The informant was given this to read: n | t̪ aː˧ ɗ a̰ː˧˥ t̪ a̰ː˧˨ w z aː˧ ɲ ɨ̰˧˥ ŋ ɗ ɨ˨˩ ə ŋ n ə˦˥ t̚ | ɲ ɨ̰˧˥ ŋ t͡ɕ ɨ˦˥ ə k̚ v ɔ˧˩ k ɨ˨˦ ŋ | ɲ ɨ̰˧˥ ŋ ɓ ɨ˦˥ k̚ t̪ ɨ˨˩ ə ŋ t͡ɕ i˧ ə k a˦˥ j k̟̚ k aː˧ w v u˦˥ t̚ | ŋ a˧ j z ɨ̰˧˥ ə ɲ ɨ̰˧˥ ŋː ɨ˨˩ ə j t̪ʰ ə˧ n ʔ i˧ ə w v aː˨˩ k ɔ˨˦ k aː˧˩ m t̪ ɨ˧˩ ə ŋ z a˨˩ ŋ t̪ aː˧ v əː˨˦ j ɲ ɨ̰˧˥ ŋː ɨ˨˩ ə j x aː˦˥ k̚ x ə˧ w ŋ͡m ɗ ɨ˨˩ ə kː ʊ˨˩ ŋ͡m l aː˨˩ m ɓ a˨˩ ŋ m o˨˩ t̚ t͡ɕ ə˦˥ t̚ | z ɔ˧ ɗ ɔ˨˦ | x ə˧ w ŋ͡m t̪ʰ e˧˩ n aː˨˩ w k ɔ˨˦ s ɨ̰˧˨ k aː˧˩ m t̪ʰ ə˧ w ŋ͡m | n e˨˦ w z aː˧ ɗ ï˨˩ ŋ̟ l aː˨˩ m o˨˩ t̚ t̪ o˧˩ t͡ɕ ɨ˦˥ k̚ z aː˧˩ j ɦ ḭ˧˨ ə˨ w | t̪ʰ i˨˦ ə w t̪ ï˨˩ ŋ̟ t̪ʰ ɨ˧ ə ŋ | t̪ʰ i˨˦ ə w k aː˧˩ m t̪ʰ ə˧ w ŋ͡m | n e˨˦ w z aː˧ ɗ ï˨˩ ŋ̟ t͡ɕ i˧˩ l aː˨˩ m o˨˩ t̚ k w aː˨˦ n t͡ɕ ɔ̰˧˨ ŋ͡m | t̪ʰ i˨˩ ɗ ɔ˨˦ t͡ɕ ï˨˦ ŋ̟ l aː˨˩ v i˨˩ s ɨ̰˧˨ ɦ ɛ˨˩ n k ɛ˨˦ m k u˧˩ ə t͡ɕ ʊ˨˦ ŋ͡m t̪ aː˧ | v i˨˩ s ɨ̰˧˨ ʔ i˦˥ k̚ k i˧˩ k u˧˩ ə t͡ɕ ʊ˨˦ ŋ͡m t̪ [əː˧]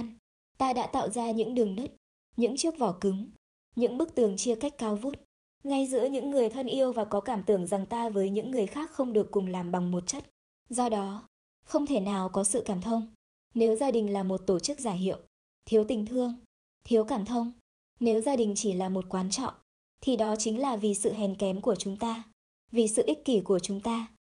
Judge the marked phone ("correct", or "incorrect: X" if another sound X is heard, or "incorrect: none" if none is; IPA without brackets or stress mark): incorrect: aː˧